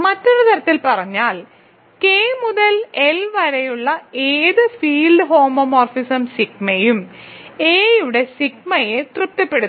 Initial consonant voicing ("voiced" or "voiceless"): voiced